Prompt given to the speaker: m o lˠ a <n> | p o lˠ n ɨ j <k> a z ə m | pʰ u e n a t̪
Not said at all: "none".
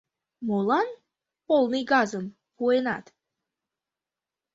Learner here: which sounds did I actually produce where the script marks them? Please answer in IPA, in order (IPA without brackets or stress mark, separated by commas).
n, ɡ